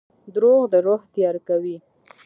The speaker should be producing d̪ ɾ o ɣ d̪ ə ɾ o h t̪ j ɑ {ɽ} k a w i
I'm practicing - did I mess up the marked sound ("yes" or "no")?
yes